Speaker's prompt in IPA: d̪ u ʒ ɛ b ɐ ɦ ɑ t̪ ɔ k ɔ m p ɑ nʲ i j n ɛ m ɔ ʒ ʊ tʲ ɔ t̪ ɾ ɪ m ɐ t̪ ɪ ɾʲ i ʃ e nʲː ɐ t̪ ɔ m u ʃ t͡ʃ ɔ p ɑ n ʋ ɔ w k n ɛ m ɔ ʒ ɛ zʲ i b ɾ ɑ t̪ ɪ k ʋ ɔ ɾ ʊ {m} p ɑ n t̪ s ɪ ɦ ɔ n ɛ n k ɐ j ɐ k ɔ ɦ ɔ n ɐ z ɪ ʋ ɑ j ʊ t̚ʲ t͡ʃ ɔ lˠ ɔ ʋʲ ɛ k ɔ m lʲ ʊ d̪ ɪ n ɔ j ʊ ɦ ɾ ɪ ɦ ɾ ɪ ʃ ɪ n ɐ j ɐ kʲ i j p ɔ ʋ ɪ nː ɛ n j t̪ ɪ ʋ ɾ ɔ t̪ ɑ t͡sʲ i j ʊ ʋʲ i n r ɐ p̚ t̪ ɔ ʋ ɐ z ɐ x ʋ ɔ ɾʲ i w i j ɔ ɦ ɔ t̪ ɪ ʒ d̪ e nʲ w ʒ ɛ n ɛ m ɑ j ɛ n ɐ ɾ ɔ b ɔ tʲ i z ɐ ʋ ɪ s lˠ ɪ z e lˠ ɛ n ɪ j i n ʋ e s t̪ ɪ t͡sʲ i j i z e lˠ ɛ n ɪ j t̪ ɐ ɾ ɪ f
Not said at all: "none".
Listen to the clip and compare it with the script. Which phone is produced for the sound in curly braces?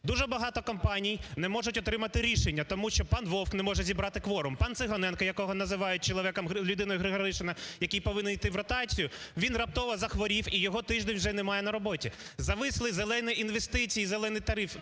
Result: m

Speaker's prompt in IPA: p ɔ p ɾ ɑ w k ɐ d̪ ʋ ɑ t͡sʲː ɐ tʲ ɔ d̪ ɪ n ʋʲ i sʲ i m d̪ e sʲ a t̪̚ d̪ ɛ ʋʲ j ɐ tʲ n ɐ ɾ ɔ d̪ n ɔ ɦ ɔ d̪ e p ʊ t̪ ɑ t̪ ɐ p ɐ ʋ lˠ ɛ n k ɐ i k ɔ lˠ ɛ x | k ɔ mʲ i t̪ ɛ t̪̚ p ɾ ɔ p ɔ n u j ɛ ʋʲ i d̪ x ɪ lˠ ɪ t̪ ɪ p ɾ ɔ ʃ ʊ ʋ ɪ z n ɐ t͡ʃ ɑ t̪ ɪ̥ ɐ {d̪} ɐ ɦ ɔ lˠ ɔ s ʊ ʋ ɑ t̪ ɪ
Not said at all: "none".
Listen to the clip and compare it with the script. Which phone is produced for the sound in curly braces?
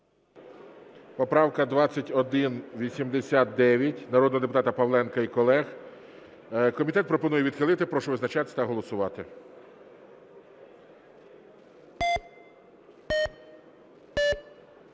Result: t̪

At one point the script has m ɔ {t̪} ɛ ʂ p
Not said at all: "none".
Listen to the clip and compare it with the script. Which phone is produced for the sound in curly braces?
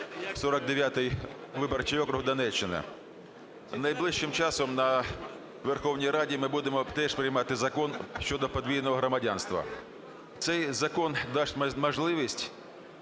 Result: t̪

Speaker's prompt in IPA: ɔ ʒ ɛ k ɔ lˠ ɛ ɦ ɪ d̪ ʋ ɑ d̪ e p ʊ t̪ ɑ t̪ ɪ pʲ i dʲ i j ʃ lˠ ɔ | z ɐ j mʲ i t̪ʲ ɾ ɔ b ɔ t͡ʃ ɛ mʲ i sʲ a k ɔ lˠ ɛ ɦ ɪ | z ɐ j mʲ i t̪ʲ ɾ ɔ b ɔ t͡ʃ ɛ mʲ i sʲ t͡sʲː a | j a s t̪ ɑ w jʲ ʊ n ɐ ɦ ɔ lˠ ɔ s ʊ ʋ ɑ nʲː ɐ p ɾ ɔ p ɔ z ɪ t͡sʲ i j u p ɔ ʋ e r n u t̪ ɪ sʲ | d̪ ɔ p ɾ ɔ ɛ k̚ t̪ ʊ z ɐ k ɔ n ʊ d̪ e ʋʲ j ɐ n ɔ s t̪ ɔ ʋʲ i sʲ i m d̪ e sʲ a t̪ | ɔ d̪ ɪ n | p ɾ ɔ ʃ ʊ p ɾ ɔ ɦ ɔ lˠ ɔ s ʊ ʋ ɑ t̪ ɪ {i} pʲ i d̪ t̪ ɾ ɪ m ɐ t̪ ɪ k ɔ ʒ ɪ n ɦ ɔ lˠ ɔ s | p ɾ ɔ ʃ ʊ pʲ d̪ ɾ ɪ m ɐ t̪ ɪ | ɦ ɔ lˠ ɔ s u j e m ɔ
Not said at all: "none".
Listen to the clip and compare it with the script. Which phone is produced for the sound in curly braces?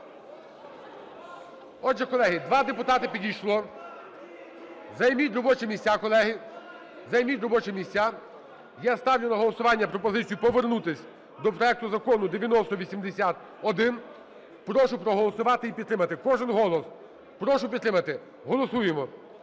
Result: i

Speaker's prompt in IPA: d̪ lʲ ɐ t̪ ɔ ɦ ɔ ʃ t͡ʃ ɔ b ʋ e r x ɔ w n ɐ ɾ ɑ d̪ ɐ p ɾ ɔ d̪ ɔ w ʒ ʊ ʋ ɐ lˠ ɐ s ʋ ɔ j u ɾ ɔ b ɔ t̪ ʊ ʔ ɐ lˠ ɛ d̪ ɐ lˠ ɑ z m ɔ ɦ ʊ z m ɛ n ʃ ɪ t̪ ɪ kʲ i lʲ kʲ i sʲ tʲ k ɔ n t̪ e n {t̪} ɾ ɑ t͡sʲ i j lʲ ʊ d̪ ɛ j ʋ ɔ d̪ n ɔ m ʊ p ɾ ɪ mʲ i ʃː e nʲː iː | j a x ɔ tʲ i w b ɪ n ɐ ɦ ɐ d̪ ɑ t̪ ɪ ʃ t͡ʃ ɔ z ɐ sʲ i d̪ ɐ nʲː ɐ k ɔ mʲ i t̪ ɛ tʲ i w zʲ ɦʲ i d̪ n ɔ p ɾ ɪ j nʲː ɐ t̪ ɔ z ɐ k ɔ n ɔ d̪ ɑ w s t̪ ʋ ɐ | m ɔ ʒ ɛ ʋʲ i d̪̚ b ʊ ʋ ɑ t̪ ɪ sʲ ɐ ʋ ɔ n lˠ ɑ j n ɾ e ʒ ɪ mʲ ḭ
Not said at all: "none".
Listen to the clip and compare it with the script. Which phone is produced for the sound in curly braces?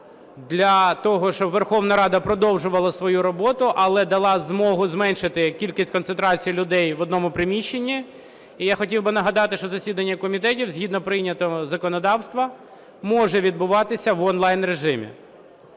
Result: t̪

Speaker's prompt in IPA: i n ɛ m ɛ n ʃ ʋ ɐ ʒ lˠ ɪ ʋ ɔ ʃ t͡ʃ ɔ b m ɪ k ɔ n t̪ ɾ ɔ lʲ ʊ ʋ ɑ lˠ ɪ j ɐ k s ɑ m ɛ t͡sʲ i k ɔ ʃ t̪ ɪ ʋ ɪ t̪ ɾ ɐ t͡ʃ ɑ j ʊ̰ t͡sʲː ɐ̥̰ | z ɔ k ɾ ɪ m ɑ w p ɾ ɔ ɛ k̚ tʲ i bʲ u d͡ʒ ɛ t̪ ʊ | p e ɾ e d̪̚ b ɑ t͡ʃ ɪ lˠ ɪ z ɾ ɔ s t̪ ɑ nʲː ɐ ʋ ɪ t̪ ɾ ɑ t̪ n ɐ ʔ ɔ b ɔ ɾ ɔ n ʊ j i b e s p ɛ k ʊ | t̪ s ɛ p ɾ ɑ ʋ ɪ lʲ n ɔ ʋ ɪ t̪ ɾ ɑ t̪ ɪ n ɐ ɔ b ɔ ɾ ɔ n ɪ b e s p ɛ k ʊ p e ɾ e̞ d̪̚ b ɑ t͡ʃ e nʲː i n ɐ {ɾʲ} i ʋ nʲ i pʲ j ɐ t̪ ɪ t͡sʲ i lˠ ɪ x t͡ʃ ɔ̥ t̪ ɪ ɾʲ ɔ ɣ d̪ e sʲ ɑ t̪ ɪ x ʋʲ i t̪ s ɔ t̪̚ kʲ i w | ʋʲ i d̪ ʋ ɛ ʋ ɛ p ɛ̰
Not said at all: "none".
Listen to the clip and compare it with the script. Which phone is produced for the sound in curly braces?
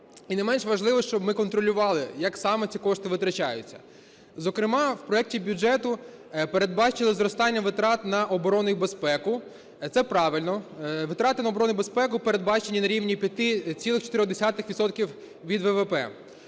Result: ɾʲ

